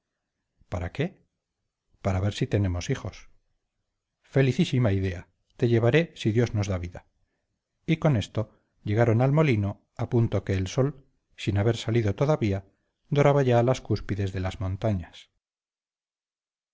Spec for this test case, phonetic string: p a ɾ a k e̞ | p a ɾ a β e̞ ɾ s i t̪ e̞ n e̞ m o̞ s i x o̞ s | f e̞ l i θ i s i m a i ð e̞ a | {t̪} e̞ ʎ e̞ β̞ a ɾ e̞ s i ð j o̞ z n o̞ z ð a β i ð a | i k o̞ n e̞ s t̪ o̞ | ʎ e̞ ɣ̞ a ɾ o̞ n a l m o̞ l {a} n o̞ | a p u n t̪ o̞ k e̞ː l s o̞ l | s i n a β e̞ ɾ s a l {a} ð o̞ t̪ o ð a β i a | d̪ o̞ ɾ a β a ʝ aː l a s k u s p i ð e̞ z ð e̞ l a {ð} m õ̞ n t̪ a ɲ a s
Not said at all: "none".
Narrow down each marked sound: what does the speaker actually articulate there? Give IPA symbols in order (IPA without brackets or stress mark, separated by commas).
t̪, i, i, z